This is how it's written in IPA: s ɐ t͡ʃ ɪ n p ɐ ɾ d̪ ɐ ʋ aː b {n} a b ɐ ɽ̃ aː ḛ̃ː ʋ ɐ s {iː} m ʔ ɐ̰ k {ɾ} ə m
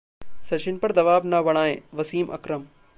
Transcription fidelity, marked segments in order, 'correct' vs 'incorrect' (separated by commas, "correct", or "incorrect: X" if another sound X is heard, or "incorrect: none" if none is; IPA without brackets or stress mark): correct, correct, correct